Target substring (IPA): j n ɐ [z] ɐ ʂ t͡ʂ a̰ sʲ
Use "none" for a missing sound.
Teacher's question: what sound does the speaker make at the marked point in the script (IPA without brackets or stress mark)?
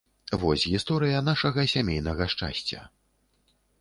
ɣ